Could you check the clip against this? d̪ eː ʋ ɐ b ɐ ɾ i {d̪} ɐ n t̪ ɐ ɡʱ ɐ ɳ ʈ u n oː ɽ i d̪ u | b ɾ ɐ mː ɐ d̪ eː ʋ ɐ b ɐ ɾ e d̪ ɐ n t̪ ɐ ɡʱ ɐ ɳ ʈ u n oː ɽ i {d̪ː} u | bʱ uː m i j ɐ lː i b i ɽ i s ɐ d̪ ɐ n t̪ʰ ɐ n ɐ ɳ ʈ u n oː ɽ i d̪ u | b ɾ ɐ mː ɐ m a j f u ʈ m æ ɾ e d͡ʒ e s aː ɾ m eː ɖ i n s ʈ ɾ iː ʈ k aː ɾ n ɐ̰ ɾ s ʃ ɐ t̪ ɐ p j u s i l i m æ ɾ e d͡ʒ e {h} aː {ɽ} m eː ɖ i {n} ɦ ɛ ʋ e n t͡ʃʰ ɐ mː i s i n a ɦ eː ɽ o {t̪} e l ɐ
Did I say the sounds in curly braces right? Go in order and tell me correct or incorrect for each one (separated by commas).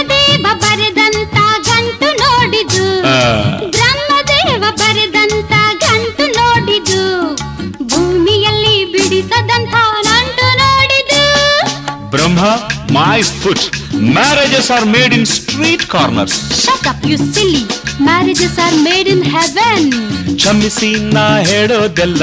correct, incorrect, incorrect, incorrect, correct, incorrect